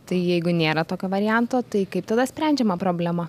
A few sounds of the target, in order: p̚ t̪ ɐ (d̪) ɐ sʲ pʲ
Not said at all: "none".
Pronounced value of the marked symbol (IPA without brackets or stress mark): d̪